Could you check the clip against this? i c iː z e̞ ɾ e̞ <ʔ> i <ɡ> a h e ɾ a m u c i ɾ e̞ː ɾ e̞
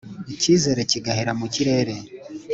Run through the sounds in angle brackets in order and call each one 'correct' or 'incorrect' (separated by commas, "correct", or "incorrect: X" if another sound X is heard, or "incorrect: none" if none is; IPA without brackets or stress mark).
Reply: incorrect: c, correct